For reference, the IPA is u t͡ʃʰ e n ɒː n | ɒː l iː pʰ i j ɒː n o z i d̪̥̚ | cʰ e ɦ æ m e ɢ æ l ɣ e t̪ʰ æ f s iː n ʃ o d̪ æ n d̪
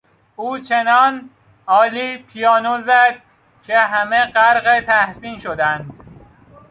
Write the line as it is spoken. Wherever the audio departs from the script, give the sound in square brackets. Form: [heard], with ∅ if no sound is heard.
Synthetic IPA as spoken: [uː] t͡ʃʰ e n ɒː n | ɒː l iː pʰ i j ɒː n o z [æ] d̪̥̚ | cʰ e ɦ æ m e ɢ æ [ɾ] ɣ e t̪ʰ æ [h] s iː n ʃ o d̪ æ n d̪